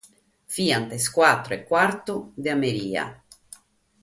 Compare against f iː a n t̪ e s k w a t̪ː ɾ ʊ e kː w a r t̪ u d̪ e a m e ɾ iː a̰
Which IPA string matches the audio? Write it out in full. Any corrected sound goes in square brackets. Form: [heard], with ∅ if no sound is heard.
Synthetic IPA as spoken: f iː a n t̪ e s k w a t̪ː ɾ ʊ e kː w a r t̪ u d̪ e a m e ɾ iː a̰